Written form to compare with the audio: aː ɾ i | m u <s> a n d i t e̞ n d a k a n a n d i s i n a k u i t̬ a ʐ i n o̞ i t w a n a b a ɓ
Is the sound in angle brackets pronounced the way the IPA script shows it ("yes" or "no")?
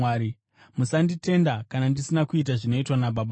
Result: yes